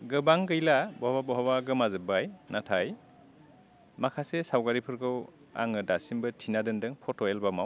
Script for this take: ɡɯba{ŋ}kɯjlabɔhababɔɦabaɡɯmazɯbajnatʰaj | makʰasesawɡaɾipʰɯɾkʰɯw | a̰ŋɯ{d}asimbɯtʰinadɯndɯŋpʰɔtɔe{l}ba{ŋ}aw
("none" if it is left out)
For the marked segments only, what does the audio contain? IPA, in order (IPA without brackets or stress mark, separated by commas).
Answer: ŋ, d, l, m